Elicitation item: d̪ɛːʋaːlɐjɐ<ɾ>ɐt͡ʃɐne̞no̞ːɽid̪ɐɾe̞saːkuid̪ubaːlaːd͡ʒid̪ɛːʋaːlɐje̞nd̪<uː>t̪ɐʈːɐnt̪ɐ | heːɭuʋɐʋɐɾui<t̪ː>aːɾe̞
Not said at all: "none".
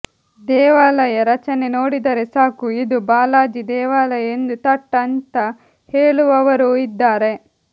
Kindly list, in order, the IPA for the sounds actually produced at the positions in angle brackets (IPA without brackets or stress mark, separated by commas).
ɾ, u, d̪ː